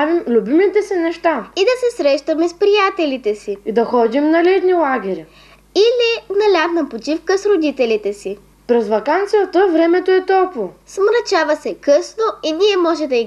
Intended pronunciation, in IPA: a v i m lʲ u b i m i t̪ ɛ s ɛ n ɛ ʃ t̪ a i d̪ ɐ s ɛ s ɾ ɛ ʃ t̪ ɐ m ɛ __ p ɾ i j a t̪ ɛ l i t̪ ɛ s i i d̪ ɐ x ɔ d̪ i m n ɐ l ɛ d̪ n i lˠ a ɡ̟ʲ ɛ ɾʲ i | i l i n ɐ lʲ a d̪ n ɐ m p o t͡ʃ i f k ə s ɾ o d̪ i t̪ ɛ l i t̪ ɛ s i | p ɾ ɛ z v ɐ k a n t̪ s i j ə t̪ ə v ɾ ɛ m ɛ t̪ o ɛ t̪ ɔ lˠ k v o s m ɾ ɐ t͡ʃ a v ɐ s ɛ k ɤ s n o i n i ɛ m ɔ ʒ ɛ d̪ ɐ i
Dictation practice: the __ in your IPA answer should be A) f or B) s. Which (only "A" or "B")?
B